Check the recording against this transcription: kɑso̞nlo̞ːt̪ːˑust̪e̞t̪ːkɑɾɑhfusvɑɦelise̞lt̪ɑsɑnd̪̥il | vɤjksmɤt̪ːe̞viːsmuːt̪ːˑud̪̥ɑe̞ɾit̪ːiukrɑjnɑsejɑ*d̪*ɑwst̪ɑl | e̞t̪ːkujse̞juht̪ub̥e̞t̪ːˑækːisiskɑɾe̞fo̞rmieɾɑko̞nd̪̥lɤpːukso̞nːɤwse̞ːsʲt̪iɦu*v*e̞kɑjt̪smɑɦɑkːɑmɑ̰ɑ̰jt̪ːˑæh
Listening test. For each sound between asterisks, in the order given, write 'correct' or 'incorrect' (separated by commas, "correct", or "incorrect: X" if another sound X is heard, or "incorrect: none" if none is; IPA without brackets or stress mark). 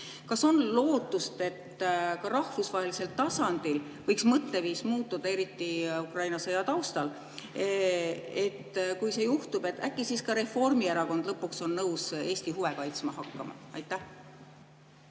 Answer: incorrect: t̪, correct